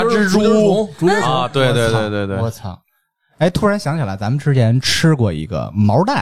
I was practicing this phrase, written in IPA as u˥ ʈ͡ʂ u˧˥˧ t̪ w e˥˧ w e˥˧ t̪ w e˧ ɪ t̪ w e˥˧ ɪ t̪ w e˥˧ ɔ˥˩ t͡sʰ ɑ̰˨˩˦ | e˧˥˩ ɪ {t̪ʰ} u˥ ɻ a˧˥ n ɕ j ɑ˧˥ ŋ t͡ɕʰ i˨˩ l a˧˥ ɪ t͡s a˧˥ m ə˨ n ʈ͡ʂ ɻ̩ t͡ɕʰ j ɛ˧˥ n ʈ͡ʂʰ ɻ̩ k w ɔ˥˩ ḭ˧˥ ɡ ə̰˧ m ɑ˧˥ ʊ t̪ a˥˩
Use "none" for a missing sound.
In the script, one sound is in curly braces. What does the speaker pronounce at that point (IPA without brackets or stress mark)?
t̪ʰ